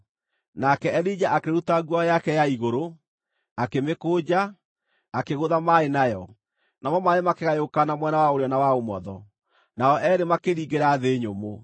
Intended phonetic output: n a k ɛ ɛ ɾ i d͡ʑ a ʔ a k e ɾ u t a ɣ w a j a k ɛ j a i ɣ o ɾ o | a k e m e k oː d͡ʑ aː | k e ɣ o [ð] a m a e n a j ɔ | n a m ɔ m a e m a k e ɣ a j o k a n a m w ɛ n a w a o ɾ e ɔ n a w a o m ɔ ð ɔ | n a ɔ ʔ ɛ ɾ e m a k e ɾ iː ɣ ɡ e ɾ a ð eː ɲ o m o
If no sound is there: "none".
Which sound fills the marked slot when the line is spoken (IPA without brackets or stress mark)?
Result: ð